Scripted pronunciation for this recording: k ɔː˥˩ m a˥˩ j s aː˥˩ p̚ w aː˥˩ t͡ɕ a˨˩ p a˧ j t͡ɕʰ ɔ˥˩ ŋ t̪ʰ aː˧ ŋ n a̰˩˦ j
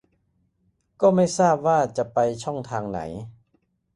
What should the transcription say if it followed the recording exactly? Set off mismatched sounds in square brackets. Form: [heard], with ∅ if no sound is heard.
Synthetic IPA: k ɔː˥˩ m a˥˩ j s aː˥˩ p̚ w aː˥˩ t͡ɕ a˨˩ p a˧ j t͡ɕʰ ɔ˥˩ ŋ t̪ʰ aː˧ ŋ n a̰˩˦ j

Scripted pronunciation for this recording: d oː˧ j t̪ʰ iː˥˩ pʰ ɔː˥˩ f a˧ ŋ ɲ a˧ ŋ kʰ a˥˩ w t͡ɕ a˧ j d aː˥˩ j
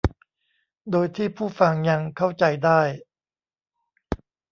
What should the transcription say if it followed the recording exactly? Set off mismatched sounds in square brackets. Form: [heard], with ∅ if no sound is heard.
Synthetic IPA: d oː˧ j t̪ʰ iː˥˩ pʰ [uː˥˩] f a˧ ŋ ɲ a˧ ŋ kʰ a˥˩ w t͡ɕ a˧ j d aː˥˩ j

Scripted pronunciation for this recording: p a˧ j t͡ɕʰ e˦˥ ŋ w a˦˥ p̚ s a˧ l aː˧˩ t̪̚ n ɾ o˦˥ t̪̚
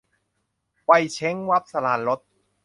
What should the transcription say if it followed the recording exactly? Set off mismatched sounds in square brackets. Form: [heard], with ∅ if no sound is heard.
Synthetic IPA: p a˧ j t͡ɕʰ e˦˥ ŋ w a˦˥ p̚ s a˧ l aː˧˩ [∅] n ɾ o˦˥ t̪̚

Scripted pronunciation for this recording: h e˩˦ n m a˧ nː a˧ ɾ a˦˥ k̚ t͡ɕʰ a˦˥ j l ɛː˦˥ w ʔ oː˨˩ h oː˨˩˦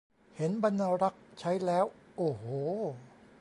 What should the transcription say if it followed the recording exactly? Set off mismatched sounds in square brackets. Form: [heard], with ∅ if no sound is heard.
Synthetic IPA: h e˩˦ n [b] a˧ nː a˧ ɾ a˦˥ k̚ t͡ɕʰ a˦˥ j l ɛː˦˥ w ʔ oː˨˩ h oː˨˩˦

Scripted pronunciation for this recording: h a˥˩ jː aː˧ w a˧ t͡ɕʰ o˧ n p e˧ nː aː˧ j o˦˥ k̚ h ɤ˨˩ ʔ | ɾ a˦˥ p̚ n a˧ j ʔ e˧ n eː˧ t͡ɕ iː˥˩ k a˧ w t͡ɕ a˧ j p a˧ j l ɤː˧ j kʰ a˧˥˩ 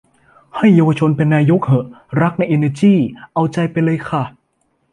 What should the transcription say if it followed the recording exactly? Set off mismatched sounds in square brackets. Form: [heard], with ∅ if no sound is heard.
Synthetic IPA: h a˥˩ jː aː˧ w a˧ t͡ɕʰ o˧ n p e˧ nː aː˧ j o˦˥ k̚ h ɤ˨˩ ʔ | ɾ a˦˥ [k̚] n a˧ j ʔ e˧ n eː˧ t͡ɕ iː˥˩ [ʔ] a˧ w t͡ɕ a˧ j p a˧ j l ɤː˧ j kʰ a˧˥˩

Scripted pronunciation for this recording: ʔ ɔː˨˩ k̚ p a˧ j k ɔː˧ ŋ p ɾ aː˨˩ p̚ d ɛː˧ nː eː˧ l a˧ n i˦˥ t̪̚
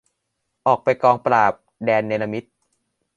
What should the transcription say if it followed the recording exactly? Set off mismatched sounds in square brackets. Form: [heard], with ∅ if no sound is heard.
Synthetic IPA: ʔ ɔː˨˩ k̚ p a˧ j k ɔː˧ ŋ p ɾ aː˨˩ p̚ d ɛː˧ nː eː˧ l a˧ [m] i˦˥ t̪̚

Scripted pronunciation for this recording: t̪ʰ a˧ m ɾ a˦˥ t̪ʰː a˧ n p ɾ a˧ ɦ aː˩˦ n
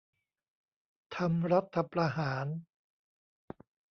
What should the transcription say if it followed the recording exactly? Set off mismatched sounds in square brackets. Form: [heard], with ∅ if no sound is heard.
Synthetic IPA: t̪ʰ a˧ m ɾ a˦˥ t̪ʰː a˧ [∅] p ɾ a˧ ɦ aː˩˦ n

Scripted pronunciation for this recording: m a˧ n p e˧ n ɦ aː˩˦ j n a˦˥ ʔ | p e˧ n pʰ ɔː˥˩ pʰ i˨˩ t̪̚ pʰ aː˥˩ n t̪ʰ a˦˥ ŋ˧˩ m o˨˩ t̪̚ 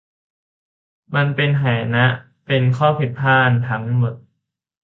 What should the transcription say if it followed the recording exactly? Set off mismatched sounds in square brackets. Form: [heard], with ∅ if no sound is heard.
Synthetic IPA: m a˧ n p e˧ n ɦ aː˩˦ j n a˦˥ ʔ | p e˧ n [kʰ] ɔː˥˩ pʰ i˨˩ t̪̚ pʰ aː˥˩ n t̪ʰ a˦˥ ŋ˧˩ m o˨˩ t̪̚

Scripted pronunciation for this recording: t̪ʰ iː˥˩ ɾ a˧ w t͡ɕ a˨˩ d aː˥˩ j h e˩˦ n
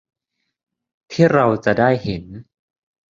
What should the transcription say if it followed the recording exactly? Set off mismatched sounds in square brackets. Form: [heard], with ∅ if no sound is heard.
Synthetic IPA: t̪ʰ iː˥˩ ɾ a˧ w t͡ɕ a˨˩ d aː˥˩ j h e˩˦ n

